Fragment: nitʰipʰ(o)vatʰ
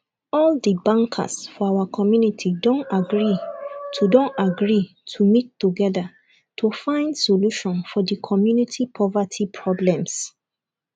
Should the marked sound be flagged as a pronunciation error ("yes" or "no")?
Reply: yes